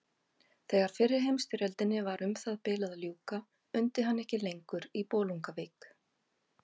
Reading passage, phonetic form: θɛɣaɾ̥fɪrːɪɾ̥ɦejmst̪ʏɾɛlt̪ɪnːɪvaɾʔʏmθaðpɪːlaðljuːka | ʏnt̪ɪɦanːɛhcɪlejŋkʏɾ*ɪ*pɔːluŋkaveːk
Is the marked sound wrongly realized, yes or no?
yes